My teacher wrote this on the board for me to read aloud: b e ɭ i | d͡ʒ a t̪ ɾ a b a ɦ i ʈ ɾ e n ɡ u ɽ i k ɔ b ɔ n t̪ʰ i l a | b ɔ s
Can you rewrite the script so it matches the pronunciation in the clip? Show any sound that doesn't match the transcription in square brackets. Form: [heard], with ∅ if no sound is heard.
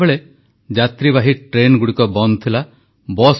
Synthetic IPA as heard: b e ɭ [e] | d͡ʒ a t̪ ɾ [i] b a ɦ i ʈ ɾ e n ɡ u ɽ i k ɔ b ɔ n t̪ʰ i l a | b ɔ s